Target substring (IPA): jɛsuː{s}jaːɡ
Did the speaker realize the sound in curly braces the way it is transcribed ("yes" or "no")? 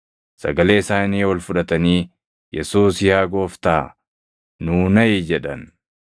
yes